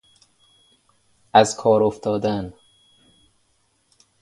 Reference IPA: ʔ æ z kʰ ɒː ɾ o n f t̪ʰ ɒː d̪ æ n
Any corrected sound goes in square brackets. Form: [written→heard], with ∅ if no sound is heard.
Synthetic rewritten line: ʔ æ z kʰ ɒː ɾ o [n→∅] f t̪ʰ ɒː d̪ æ n